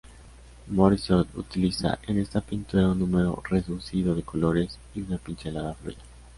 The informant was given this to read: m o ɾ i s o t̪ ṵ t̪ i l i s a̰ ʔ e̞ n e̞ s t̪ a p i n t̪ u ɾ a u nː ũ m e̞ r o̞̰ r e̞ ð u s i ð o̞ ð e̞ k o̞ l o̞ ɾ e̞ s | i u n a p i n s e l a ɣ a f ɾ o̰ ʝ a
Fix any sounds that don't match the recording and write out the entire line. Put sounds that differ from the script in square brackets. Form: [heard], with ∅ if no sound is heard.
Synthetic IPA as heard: m o ɾ i s o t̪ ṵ t̪ i l i s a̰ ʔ e̞ n e̞ s t̪ a p i n t̪ u ɾ a u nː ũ m e̞ [ɾ] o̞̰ r e̞ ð u s i ð o̞ ð e̞ k o̞ l o̞ ɾ e̞ s | i u n a p i n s e l a [ð] a f [l] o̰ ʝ a